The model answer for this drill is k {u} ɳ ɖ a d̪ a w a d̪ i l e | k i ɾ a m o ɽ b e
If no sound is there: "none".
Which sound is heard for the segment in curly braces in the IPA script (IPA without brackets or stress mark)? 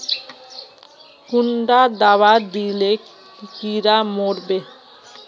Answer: u